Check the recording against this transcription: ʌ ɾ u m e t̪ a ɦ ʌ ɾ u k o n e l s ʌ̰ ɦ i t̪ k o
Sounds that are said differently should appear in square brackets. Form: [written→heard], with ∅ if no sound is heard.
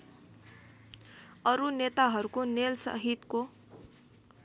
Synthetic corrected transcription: ʌ ɾ u [m→n] e t̪ a ɦ ʌ ɾ u k o n e l s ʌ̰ ɦ i t̪ k o